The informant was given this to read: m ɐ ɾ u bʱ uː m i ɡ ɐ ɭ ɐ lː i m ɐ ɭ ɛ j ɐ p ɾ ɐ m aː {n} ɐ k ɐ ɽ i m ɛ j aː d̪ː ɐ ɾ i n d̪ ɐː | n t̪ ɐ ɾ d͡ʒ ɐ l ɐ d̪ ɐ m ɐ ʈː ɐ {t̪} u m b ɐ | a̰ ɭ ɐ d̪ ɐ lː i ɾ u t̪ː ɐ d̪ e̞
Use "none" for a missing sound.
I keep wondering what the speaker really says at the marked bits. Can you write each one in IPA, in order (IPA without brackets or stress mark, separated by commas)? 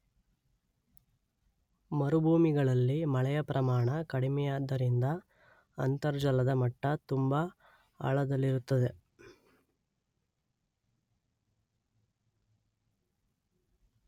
ɳ, t̪